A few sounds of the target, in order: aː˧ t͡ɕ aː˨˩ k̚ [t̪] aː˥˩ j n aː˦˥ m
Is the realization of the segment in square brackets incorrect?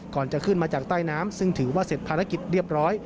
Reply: no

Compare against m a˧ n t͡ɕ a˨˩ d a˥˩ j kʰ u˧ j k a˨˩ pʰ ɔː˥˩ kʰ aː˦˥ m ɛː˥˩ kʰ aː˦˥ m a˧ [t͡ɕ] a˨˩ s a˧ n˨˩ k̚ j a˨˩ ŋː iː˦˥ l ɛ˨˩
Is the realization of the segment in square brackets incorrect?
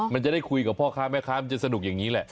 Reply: no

